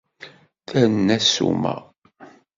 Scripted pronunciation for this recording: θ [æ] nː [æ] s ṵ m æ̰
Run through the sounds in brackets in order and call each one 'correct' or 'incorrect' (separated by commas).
correct, correct